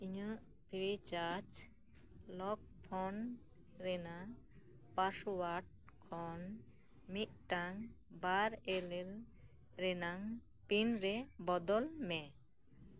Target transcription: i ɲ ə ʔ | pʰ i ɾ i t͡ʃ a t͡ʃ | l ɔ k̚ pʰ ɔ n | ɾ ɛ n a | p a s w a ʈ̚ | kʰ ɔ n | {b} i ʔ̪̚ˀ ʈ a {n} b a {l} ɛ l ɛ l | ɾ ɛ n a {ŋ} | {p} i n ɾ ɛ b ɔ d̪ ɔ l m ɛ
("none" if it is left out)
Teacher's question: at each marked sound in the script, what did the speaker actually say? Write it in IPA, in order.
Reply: m, ŋ, ɾ, ŋ, p

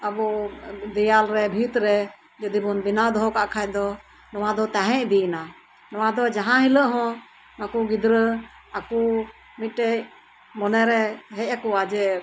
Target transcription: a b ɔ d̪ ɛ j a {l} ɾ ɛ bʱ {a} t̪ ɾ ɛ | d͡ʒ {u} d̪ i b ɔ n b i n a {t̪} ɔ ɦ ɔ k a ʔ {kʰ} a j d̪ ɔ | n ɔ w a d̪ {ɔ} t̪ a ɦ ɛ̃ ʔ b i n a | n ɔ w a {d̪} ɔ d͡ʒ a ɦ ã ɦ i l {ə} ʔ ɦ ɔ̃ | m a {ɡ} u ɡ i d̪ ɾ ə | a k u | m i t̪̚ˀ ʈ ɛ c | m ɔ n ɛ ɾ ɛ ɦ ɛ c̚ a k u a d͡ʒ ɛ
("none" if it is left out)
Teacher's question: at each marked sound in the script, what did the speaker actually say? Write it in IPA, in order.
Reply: l, i, ɔ, d̪, kʰ, ɔ, d̪, ə, k

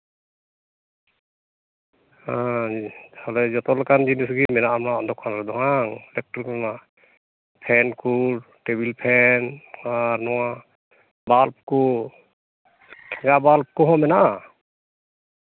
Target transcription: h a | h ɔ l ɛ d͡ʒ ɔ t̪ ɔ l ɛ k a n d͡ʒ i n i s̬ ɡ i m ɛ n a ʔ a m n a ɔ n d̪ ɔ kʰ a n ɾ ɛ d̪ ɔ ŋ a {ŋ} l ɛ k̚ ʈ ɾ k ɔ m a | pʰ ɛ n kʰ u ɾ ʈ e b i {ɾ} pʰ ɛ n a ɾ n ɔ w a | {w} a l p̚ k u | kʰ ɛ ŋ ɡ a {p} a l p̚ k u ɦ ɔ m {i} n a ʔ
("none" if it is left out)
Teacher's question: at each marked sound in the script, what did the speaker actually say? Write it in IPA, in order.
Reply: ŋ, l, b, b, ɛ

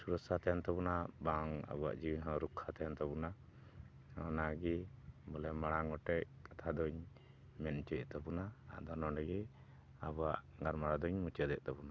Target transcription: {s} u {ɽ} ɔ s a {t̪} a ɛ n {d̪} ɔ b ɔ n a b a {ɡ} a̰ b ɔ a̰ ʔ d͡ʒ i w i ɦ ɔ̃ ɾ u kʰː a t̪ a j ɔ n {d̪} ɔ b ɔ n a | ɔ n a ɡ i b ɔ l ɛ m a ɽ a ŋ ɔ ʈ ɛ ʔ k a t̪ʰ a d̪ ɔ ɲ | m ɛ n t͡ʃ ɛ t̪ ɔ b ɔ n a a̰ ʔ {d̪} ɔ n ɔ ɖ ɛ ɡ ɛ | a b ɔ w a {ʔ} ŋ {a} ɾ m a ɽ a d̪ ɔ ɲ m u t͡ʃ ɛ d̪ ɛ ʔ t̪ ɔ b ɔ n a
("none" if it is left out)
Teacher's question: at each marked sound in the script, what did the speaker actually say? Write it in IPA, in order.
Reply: s, ɾ, t̪, t̪, ŋ, t̪, d̪, ʔ, a

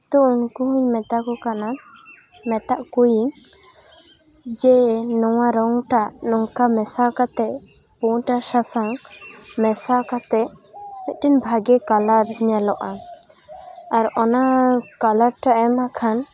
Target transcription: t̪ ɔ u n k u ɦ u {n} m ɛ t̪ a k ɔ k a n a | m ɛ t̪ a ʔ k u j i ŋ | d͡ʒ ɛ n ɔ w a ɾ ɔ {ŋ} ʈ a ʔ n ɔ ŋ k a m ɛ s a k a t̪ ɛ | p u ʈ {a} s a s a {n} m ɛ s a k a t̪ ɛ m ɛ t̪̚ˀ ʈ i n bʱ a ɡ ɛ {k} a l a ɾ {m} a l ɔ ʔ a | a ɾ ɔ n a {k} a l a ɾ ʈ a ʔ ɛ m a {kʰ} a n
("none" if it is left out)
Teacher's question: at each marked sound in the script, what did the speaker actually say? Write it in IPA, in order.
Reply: ɲ, ŋ, a, ŋ, k, ɲ, k, kʰ

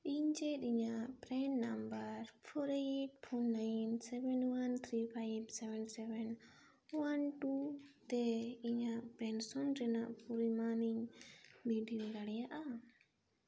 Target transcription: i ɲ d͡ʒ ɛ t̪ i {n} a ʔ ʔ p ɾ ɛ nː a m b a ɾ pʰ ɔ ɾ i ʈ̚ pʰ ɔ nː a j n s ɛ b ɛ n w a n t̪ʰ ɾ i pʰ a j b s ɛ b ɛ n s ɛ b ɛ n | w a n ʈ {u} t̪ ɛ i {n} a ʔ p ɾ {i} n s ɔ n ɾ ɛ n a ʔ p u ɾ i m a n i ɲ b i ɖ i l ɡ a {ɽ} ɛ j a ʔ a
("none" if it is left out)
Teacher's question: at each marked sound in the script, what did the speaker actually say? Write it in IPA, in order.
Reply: ɲ, u, ɲ, ɛ, ɽ

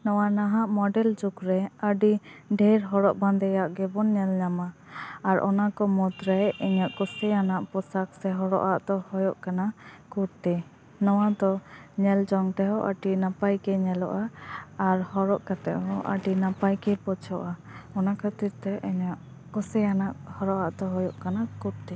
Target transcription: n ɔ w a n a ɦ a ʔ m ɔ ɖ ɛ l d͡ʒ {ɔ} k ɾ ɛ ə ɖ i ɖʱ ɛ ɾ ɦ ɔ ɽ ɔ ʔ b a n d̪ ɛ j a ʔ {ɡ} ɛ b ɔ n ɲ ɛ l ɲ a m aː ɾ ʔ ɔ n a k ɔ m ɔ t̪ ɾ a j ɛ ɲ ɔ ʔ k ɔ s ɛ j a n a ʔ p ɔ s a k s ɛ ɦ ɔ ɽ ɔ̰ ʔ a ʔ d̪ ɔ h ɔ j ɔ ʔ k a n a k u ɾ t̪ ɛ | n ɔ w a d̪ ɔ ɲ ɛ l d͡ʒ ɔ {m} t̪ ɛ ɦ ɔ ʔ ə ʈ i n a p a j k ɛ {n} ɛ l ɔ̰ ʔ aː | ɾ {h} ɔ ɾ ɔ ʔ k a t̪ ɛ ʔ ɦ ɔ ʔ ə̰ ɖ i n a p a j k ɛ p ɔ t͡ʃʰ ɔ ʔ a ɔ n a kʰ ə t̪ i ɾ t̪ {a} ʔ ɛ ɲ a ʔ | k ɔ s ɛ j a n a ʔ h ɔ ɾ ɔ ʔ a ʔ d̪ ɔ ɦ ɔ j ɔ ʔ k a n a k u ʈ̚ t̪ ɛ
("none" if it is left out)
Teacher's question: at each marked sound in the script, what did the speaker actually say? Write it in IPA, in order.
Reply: u, ɡ, ŋ, ɲ, h, ɛ

